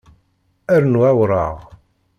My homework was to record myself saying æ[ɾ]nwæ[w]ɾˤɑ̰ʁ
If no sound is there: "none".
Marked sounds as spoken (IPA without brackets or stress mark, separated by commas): ɾ, w